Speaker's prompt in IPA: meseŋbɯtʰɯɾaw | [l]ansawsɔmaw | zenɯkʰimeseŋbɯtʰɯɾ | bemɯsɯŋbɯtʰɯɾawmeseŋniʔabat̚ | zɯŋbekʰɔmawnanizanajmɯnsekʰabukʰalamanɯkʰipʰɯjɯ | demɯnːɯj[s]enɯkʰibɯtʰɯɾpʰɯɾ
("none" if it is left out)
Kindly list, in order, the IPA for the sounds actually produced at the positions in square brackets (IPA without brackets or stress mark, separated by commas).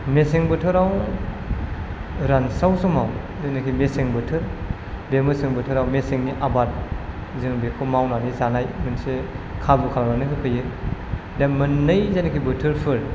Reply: ɾ, z